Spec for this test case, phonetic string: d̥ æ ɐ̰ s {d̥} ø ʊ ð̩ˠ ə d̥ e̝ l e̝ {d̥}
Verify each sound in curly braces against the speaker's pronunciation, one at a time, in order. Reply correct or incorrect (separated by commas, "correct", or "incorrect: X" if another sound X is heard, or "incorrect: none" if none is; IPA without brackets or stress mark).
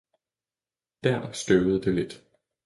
incorrect: ɡ̥, correct